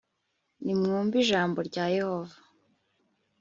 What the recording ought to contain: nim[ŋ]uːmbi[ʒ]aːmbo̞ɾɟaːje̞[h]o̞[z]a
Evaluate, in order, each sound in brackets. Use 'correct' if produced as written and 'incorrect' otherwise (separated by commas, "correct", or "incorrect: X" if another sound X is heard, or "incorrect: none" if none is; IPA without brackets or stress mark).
correct, correct, correct, incorrect: v